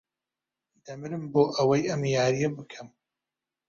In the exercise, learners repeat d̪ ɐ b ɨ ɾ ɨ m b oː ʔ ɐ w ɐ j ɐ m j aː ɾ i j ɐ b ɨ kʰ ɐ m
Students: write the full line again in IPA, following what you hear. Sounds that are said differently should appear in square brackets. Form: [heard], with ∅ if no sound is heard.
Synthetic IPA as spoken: d̪ ɐ [m] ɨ ɾ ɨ m b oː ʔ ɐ w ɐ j ɐ m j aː ɾ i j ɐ b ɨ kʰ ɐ m